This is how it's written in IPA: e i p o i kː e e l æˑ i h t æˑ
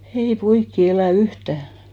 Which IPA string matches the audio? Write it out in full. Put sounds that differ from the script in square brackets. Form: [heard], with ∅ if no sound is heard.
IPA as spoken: e i p o i kː [i] e l æˑ [y] h t æˑ